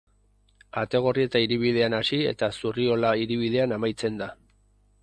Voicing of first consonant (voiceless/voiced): voiceless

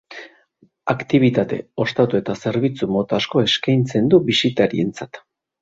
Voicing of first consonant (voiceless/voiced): voiceless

